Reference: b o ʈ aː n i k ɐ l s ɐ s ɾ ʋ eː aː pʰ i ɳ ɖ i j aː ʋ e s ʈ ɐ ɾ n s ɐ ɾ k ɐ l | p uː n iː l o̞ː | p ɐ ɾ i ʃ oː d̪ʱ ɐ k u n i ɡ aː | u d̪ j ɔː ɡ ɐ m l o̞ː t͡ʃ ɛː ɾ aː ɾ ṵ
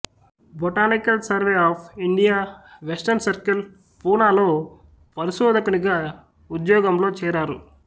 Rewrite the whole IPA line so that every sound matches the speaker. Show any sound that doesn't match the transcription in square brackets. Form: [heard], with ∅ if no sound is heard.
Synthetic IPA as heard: b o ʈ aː n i k ɐ l s ɐ [∅] ɾ ʋ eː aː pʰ i ɳ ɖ i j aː ʋ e s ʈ ɐ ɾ n s ɐ ɾ k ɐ l | p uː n [aː] l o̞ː | p ɐ ɾ i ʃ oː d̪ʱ ɐ k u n i ɡ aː | u d̪ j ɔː ɡ ɐ m l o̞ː t͡ʃ ɛː ɾ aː ɾ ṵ